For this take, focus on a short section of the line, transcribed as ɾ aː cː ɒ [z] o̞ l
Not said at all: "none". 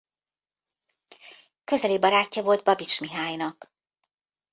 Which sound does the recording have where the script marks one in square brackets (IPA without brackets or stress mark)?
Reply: v